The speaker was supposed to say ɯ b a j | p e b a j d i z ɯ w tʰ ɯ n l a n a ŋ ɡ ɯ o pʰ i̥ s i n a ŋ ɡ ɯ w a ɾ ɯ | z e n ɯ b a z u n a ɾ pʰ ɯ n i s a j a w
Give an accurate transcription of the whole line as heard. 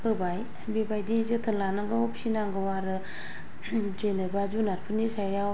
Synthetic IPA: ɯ b a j | b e b a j d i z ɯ tʰ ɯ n l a n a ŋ ɡ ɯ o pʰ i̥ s i n a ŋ ɡ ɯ w a ɾ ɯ | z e n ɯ b a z u n a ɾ pʰ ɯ n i s a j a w